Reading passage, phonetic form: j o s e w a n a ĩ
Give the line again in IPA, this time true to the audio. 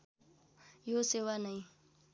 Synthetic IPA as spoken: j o s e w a n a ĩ